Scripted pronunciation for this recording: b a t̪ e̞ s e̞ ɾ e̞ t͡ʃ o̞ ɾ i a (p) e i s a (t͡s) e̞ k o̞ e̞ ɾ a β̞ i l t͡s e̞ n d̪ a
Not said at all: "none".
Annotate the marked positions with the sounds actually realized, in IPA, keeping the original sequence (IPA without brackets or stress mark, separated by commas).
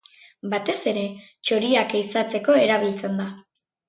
k, t͡s